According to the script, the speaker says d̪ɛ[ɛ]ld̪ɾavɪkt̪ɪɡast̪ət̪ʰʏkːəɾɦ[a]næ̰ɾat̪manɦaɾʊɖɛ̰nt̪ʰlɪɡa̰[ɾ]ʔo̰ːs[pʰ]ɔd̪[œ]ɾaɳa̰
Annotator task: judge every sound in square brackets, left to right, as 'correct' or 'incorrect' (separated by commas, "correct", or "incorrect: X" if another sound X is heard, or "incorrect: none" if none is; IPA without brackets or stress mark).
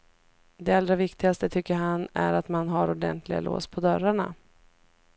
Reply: incorrect: a, correct, incorrect: l, correct, correct